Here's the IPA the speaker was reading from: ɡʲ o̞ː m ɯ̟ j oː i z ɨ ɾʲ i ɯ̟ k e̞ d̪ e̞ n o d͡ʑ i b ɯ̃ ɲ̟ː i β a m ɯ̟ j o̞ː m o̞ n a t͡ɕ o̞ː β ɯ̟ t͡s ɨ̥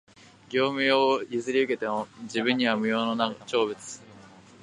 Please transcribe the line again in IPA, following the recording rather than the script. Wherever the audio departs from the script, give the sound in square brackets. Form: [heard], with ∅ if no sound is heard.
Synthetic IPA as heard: ɡʲ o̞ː m ɯ̟ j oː i z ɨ ɾʲ i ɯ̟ k e̞ [t̪] e̞ [m] o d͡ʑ i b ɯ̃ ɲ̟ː i β a m ɯ̟ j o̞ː [n] o̞ n a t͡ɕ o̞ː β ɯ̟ t͡s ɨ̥

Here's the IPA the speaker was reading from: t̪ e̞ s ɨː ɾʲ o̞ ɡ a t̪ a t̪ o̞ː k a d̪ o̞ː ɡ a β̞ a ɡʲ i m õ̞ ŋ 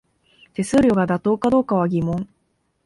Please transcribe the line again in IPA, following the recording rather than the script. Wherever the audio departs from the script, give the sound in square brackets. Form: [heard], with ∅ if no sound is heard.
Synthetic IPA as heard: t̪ e̞ s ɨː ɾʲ o̞ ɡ a [d̪] a t̪ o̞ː k a d̪ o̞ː [k] a β̞ a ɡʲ i m õ̞ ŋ

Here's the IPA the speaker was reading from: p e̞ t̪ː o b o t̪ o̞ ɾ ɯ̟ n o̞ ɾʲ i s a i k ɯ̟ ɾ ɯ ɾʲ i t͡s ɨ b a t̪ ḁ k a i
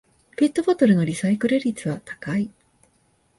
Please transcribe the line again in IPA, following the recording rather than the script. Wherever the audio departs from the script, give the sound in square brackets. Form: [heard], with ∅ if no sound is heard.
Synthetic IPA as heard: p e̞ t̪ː o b o t̪ o̞ ɾ ɯ̟ n o̞ ɾʲ i s a i k ɯ̟ ɾ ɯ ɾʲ i t͡s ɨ [β] a t̪ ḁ k a i

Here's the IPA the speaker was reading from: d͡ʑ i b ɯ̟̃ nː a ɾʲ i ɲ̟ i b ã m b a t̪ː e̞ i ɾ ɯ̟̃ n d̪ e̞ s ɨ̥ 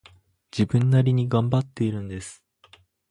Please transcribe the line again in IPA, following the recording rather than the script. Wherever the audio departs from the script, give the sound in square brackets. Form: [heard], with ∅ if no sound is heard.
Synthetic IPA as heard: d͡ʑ i b ɯ̟̃ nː a ɾʲ i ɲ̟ i [ɡ] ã m b a t̪ː e̞ i ɾ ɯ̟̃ n d̪ e̞ s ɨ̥

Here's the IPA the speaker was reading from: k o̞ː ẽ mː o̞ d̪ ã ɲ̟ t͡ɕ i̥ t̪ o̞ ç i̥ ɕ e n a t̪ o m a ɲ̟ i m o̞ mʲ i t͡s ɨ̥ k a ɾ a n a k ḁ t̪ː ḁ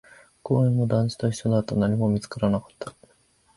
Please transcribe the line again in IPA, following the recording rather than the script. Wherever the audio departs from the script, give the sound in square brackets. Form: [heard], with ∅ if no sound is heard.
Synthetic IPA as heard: k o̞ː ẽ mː o̞ d̪ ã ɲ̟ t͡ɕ i̥ t̪ o̞ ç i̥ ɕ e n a t̪ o [n] a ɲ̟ i m o̞ mʲ i t͡s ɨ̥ k a ɾ a n a k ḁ t̪ː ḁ

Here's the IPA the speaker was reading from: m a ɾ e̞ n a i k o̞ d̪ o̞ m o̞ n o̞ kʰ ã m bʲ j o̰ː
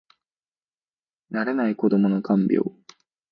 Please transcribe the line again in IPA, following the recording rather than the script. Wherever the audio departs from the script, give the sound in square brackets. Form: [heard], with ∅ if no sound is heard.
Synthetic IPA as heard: [n] a ɾ e̞ n a i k o̞ d̪ o̞ m o̞ n o̞ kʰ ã m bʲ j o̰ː

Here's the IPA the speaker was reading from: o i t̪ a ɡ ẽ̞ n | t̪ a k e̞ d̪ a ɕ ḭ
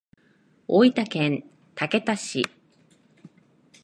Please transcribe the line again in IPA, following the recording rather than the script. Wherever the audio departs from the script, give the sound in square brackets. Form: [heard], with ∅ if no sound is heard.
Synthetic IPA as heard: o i t̪ a [k] ẽ̞ n | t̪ a k e̞ [t̪] a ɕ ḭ

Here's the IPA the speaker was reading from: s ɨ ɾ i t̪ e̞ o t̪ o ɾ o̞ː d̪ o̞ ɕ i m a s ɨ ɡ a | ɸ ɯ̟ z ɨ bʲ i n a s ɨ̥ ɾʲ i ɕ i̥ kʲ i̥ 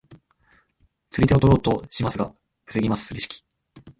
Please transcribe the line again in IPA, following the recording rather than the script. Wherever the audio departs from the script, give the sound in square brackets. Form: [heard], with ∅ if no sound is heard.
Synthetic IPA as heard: [t͡s] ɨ ɾ i t̪ e̞ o t̪ o ɾ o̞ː [t̪] o̞ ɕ i m a s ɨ ɡ a | ɸ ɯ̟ [s] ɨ [ɡʲ] i [m] a s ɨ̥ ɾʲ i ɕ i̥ kʲ i̥

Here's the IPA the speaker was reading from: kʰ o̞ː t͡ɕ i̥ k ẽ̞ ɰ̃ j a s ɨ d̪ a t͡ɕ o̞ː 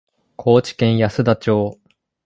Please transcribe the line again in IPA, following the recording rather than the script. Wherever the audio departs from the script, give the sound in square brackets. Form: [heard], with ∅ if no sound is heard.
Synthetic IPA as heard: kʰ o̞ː t͡ɕ i̥ k ẽ̞ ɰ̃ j a s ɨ d̪ a t͡ɕ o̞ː

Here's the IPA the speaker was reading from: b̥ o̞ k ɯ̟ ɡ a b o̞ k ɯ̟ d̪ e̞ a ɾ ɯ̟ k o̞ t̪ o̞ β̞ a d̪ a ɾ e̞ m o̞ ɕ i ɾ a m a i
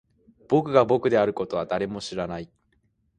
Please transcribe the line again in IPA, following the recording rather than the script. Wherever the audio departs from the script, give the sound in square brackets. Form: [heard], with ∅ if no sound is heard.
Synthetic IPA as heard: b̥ o̞ k ɯ̟ ɡ a b o̞ k ɯ̟ d̪ e̞ a ɾ ɯ̟ k o̞ t̪ o̞ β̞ a d̪ a ɾ e̞ m o̞ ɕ i ɾ a [n] a i

